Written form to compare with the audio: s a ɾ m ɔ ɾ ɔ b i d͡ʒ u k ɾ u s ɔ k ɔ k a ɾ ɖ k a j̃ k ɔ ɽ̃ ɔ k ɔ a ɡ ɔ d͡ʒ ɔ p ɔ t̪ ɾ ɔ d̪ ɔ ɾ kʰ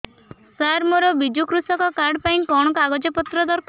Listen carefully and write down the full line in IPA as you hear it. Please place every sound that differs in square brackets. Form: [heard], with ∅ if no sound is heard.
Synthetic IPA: s a ɾ m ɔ ɾ ɔ b i d͡ʒ u k ɾ u s ɔ k ɔ k a ɾ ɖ [p] a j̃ k ɔ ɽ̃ ɔ k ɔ a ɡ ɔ d͡ʒ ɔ p ɔ t̪ ɾ ɔ d̪ ɔ ɾ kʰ

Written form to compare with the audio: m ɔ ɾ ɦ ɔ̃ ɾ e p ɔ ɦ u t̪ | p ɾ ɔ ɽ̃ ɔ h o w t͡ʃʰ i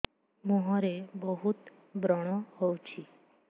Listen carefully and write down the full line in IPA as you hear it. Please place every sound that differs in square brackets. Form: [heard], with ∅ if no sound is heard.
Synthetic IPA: m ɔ [∅] ɦ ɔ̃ ɾ e [b] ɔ ɦ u t̪ | [b] ɾ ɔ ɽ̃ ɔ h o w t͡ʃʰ i

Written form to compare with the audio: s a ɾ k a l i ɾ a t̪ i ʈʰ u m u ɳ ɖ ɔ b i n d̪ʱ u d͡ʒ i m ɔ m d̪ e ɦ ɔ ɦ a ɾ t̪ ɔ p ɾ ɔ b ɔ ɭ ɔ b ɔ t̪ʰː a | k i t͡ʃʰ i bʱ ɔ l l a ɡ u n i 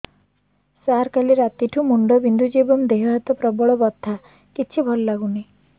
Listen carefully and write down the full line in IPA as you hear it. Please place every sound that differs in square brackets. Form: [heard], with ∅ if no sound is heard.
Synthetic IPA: s a ɾ k a l i ɾ a t̪ i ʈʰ u m u ɳ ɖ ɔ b i n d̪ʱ u d͡ʒ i [b] ɔ m d̪ e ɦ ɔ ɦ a [∅] t̪ ɔ p ɾ ɔ b ɔ ɭ ɔ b ɔ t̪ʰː a | k i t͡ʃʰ i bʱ ɔ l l a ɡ u n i

